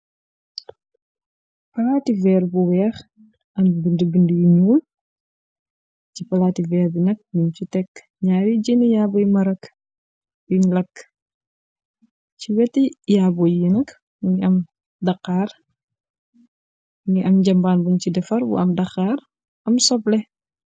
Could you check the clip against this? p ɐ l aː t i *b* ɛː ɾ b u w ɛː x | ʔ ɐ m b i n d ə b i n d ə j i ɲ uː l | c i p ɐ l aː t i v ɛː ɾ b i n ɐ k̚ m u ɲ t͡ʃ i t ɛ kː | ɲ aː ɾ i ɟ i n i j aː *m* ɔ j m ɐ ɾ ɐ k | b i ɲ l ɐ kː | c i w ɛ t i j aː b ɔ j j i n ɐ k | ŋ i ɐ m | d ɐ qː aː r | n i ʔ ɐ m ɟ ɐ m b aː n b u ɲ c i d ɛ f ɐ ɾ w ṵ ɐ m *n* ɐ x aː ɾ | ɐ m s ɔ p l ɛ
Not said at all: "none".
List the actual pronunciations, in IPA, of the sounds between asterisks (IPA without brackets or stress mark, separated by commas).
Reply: v, b, d